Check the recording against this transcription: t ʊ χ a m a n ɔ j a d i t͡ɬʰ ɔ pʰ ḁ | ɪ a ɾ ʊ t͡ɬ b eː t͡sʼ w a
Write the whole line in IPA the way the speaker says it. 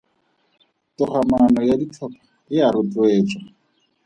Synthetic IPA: t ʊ χ a m a n ɔ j a d i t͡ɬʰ ɔ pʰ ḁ | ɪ a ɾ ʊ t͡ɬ w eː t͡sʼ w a

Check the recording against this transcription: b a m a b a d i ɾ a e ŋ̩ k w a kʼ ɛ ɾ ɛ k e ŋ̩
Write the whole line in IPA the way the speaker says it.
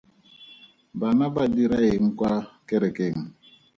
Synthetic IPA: b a n a b a d i ɾ a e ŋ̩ k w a k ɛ ɾ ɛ k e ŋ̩

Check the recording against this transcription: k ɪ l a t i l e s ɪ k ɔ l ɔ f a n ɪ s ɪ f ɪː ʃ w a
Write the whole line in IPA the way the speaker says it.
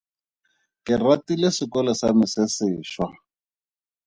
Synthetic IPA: k ɪ r a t i l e s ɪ k ɔ l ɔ s a m ɪ s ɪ s ɪː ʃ w a

